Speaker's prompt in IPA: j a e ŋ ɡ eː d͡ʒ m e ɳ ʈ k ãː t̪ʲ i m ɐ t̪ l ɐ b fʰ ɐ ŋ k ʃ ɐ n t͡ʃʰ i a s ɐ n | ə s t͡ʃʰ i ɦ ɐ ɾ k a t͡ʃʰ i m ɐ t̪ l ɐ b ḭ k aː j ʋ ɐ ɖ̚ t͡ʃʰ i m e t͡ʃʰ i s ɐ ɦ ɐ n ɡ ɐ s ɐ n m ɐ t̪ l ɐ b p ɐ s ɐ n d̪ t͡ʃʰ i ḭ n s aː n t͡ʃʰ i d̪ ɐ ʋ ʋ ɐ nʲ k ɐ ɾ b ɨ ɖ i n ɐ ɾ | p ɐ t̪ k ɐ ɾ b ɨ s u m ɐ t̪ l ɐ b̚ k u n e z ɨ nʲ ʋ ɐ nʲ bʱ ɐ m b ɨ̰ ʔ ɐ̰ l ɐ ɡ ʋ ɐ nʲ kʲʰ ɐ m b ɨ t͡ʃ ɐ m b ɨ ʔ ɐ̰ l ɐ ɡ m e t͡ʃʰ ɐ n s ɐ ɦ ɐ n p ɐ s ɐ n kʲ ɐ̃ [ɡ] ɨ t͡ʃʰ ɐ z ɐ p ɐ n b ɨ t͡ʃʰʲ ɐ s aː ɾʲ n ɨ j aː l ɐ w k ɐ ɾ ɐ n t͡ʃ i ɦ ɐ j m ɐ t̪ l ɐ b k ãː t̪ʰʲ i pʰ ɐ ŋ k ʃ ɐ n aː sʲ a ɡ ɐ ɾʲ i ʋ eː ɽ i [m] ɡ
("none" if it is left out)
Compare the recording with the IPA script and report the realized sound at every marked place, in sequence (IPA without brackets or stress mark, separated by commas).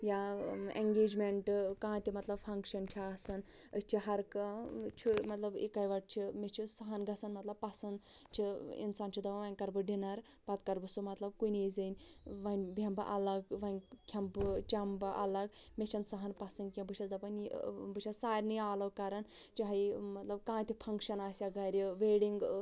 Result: b, ŋ